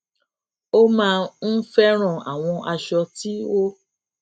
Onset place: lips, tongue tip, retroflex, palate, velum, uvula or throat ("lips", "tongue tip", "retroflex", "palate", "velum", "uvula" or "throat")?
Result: lips